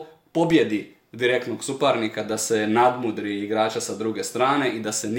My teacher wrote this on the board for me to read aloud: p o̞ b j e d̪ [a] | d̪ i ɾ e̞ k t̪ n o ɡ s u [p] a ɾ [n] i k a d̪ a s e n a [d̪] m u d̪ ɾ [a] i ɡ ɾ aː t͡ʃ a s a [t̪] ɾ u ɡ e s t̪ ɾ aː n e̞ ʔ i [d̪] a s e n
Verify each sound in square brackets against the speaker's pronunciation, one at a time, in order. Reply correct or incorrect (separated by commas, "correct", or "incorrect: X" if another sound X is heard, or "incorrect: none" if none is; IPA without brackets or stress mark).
incorrect: i, correct, correct, correct, incorrect: i, incorrect: d̪, correct